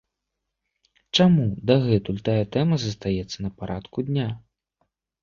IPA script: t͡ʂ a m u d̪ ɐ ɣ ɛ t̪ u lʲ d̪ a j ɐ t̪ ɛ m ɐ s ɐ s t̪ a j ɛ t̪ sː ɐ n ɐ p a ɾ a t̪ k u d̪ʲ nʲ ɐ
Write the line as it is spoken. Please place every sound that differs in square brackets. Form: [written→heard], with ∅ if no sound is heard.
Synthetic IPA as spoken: t͡ʂ a m u d̪ ɐ ɣ ɛ t̪ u lʲ [d̪→t̪] a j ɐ t̪ ɛ m ɐ [s→z] ɐ s t̪ a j ɛ t̪ sː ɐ n ɐ p a ɾ a t̪ k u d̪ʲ nʲ [ɐ→a]